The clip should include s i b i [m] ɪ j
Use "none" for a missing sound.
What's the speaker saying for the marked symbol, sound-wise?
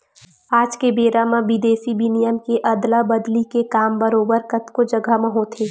n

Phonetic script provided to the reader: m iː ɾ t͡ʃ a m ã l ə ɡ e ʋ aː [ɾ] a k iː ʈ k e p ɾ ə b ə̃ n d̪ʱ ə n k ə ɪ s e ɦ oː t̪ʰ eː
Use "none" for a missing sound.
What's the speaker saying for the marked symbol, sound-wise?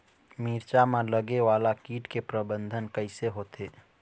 l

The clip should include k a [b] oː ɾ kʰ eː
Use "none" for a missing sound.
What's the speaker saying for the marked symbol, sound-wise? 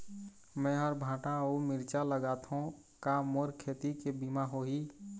m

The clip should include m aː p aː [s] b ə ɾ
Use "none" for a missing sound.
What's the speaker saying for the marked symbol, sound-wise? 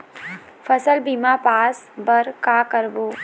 s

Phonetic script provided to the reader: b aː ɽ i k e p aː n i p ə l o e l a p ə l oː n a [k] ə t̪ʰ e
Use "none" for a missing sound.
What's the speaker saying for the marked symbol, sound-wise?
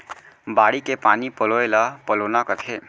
k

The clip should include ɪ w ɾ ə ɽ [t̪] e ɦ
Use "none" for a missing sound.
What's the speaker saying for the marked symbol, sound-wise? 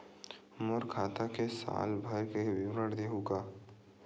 d̪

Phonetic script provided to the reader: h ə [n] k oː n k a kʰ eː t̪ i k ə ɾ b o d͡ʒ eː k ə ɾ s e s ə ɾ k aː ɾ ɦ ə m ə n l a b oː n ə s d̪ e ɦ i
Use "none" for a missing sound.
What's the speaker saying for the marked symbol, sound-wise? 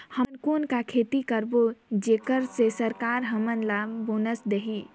n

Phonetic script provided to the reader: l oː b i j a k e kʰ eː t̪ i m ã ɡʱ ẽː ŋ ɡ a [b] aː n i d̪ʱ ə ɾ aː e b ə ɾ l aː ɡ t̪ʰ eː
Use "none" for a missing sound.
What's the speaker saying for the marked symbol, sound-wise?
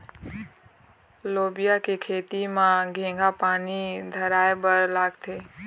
p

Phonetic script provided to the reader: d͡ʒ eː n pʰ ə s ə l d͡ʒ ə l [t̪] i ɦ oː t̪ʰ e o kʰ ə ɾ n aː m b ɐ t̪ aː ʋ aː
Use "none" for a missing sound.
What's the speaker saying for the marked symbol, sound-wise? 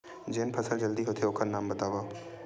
d̪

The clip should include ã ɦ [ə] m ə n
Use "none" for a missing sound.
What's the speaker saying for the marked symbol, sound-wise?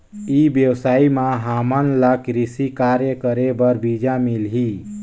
a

